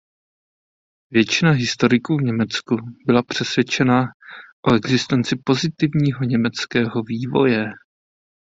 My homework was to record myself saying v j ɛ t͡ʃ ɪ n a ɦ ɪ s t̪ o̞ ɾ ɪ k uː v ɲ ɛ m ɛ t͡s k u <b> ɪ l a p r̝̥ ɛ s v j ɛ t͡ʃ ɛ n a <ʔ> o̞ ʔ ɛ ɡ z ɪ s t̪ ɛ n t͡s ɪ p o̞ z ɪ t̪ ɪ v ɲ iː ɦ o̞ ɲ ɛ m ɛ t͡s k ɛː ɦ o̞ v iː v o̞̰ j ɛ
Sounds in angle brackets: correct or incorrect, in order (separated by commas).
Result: correct, correct